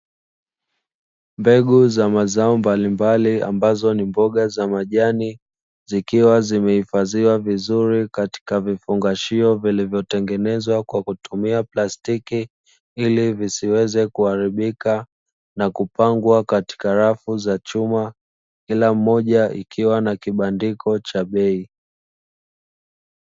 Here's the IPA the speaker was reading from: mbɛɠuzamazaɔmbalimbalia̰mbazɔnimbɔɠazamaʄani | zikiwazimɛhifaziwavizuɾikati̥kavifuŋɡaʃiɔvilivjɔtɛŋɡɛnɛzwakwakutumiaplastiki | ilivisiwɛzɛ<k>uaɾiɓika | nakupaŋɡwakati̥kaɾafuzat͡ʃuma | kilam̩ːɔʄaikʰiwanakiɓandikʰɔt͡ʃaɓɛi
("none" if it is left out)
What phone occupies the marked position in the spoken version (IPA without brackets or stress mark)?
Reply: k